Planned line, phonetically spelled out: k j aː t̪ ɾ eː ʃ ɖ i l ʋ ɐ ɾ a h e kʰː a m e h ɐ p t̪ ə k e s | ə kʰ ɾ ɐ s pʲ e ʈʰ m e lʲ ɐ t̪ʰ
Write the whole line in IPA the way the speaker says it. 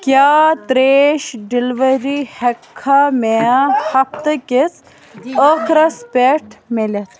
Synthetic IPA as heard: k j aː t̪ ɾ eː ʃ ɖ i l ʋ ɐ ɾ i h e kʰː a m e h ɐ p t̪ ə k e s | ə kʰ ɾ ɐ s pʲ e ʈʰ m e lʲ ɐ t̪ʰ